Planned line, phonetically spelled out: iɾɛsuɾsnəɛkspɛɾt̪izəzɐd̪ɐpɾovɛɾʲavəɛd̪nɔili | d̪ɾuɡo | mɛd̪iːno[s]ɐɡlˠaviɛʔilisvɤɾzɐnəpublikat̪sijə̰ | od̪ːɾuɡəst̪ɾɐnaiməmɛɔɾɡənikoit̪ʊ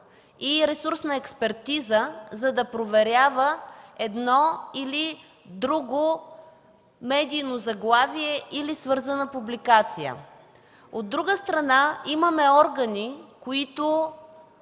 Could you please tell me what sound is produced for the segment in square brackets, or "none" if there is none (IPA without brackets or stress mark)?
z